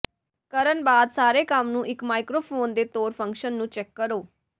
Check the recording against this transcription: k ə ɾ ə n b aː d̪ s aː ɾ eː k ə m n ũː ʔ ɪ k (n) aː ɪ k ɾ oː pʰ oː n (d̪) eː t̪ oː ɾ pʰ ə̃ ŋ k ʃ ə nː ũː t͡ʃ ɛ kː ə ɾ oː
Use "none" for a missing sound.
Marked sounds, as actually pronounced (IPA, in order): m, d̪

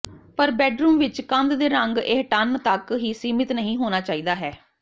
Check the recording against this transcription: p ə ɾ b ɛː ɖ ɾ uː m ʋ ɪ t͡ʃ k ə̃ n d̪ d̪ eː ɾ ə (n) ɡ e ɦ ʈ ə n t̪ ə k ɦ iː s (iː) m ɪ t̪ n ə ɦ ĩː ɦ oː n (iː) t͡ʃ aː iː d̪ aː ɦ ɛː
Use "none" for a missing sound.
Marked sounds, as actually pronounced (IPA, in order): ŋ, iː, aː

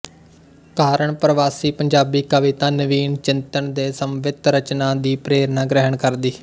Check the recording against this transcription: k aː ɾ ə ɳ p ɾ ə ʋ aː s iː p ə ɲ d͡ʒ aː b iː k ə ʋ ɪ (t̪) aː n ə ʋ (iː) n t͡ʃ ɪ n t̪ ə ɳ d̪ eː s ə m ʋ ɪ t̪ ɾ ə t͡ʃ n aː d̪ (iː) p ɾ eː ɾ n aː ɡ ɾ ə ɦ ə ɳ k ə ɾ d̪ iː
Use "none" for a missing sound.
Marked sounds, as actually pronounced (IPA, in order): t̪, iː, iː

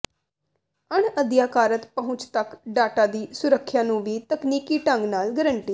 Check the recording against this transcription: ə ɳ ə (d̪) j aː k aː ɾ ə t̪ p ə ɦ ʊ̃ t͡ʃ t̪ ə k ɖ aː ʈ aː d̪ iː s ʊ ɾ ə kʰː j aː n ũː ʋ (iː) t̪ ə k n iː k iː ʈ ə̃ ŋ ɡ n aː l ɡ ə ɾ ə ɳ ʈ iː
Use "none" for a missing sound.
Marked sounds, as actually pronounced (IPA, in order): d̪, iː

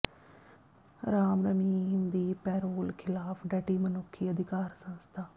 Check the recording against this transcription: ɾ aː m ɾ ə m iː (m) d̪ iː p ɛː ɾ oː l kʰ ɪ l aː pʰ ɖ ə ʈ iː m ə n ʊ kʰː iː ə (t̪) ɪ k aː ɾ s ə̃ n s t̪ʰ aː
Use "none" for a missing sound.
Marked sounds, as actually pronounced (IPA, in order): m, d̪

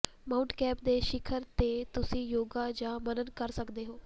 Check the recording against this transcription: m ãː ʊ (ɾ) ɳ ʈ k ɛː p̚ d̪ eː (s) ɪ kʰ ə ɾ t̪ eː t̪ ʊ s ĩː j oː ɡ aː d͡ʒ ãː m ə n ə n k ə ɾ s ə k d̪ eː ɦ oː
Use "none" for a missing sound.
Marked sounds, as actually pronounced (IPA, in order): none, ʃ

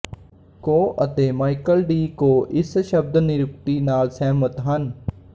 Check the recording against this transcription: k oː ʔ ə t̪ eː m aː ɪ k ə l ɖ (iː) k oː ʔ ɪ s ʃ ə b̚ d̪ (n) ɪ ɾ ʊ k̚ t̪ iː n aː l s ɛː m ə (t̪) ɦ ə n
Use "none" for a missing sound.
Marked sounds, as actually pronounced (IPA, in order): iː, n, t̪

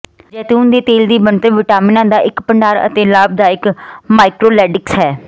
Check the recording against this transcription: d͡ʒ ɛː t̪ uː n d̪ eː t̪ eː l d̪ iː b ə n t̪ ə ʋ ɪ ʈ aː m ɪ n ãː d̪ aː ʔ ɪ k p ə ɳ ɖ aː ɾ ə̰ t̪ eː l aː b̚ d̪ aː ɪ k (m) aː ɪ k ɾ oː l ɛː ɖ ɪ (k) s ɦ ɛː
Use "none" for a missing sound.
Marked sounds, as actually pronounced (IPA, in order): m, k

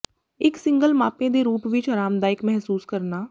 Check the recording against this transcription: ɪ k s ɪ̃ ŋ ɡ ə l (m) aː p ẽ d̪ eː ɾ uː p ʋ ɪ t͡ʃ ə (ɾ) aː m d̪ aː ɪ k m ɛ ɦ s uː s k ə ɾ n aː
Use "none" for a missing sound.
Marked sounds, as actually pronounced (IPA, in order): m, ɾ

